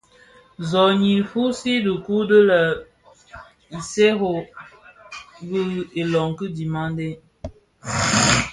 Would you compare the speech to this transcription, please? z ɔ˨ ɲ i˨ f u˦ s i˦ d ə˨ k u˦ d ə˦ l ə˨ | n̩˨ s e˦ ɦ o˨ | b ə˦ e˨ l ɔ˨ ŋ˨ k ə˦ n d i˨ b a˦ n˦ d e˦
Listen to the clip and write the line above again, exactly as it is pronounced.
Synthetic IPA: z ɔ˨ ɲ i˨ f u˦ s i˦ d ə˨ k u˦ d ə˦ l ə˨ | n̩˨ s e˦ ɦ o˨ | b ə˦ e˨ l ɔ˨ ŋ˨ k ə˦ d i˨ m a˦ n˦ d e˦